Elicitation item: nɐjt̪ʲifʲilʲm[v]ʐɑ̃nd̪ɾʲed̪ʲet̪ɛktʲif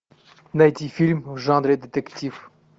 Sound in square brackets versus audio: correct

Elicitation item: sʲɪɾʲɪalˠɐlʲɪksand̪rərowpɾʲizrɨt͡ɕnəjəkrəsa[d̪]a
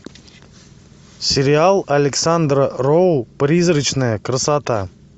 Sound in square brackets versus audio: incorrect: t̪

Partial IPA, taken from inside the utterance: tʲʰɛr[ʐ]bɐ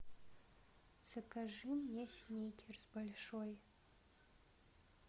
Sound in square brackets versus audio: incorrect: z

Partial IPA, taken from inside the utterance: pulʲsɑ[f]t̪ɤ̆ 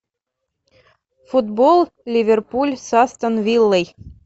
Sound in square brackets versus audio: incorrect: s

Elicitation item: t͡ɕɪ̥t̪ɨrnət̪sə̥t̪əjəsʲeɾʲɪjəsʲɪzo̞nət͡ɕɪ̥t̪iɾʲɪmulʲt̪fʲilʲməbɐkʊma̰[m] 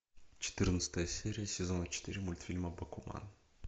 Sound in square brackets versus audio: incorrect: n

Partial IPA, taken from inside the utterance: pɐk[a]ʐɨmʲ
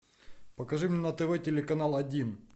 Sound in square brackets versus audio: incorrect: ɐ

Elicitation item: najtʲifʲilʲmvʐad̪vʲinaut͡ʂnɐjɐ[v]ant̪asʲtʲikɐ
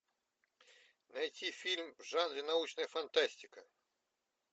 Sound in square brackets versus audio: incorrect: f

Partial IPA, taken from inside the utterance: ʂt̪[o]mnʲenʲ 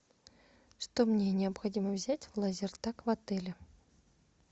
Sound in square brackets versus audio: correct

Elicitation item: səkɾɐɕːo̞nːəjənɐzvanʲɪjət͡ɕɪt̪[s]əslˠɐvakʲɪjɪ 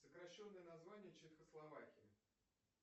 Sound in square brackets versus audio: incorrect: x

